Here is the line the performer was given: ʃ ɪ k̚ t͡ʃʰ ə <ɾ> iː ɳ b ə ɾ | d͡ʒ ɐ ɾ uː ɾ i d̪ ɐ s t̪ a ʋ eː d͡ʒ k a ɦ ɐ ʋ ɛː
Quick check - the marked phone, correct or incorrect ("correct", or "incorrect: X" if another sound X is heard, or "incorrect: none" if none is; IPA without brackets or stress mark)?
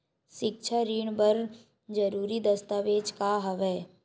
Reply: correct